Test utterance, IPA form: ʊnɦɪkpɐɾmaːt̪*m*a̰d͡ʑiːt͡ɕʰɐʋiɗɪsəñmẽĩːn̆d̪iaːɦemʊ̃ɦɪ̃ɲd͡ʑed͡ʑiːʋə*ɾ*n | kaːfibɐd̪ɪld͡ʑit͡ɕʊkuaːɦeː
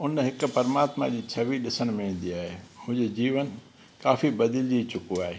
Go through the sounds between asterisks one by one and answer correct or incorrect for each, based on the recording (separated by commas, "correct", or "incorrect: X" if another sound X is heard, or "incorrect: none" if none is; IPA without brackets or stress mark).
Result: correct, incorrect: none